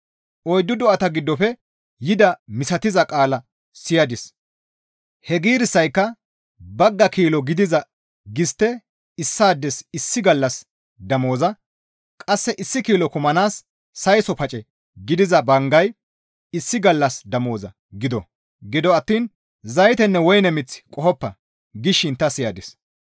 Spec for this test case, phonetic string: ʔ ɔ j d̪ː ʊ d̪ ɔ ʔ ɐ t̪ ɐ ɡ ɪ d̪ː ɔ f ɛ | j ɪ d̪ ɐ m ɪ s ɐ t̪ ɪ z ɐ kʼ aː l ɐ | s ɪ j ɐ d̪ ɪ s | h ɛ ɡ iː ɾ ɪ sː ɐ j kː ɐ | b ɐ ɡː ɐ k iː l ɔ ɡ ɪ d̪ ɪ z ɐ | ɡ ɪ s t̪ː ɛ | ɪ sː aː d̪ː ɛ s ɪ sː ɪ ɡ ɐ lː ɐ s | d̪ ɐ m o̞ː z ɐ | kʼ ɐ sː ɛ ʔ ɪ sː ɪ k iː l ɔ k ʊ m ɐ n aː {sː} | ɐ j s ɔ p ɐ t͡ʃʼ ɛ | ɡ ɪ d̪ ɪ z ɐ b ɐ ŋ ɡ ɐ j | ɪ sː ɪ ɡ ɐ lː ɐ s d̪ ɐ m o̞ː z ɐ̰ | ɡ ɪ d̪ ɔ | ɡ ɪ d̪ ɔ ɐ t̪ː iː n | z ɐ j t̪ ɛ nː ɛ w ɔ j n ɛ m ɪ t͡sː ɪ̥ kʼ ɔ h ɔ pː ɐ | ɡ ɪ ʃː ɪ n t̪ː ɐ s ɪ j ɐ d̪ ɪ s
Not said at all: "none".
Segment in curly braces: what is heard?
sː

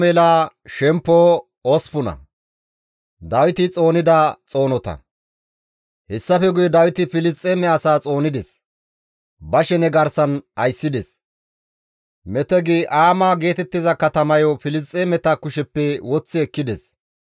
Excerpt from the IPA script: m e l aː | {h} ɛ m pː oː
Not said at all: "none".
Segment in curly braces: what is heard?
ʃ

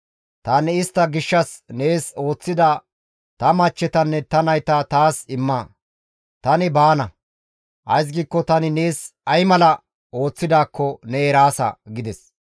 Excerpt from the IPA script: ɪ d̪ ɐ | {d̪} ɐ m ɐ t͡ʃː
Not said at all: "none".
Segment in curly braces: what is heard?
t̪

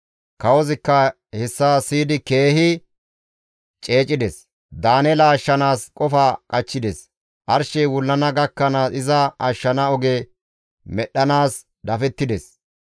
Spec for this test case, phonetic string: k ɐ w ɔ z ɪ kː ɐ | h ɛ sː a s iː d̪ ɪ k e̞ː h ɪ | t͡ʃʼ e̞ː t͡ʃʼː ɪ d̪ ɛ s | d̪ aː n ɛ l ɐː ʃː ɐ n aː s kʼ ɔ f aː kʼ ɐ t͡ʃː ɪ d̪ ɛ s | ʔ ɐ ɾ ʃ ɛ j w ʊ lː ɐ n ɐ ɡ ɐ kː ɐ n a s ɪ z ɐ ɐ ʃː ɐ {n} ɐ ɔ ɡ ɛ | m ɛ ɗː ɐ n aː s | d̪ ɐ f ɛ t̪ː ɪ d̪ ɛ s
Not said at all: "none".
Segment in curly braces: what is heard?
n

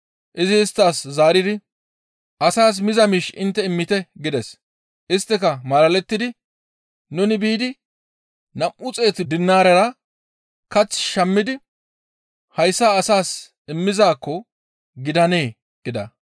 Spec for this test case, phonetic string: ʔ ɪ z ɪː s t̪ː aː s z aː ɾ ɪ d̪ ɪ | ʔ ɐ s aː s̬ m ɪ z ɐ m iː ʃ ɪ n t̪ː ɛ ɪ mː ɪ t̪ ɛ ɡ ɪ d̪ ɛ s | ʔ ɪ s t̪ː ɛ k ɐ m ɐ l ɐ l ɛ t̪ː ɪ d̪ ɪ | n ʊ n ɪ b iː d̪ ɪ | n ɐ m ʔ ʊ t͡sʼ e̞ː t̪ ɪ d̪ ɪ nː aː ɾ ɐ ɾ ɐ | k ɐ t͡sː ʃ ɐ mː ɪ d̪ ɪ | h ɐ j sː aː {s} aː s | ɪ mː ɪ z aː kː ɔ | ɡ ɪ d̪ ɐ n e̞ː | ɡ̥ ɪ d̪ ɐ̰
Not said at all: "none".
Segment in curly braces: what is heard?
s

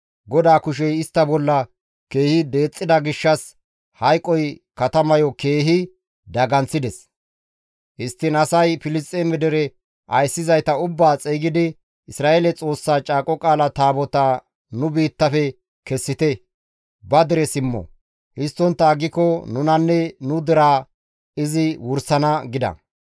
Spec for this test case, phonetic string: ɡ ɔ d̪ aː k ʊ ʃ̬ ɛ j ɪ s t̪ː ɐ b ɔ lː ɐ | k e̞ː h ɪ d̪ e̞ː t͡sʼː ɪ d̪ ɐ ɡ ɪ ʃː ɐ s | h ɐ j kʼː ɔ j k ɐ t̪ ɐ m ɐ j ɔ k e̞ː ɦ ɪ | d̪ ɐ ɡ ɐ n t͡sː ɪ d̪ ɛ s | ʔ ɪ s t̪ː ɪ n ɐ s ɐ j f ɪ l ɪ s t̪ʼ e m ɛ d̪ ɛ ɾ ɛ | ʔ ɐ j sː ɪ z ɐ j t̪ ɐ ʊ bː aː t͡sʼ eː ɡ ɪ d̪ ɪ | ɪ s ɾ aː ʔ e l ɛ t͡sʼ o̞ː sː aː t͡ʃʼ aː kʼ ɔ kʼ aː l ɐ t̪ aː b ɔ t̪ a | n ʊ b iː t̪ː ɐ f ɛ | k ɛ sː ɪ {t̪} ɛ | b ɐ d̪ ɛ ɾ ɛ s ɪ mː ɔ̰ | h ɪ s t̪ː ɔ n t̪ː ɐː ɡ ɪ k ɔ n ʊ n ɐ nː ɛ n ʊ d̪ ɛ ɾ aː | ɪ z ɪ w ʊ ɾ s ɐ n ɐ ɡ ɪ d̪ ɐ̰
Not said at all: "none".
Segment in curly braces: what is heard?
t̪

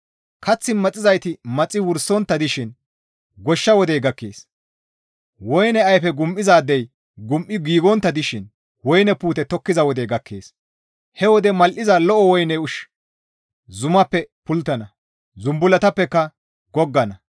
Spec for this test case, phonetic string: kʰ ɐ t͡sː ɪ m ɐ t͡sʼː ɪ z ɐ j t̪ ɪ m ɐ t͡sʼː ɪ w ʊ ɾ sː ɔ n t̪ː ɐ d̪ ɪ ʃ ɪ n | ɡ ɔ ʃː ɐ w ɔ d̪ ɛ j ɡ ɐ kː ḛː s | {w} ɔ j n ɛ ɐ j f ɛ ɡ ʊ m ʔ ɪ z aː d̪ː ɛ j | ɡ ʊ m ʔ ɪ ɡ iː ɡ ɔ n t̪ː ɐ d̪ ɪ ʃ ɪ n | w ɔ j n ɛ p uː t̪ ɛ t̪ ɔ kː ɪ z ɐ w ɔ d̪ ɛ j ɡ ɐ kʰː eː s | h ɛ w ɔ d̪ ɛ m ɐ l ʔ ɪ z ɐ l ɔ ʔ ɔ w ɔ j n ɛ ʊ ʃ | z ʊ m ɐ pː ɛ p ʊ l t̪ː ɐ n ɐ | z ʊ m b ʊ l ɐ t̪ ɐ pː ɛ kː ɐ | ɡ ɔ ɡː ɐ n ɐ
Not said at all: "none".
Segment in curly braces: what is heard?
w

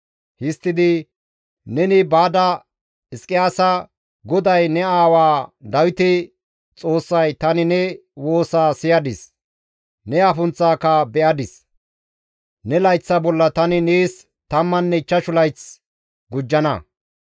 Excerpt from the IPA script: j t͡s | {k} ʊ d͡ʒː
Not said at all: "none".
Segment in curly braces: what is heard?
ɡ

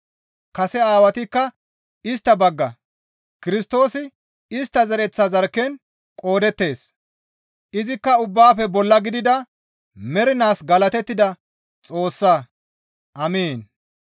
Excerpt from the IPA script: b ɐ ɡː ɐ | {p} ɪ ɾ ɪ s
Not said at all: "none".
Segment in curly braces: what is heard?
k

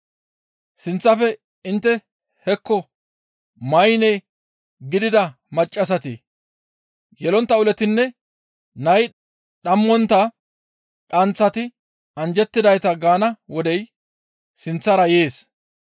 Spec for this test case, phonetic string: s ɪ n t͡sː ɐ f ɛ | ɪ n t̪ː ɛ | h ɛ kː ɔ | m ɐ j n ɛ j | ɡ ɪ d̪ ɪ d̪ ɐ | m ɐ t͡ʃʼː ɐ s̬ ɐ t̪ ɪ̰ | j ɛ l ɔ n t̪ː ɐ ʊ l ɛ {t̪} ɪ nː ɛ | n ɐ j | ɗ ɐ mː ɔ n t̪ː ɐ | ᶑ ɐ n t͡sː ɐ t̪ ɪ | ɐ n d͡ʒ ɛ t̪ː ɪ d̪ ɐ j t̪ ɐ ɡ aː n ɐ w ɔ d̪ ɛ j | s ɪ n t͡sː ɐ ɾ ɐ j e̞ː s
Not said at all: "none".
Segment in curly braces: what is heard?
t̪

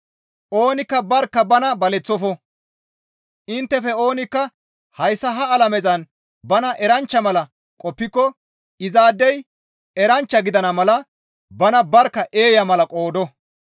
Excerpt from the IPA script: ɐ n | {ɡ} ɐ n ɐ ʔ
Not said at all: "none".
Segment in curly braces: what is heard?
b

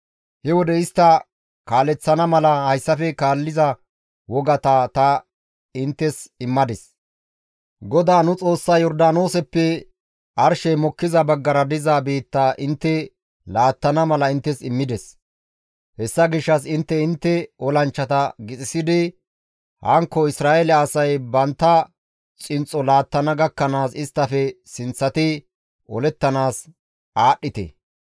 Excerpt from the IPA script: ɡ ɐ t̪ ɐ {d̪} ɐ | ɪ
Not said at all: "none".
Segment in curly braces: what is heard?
t̪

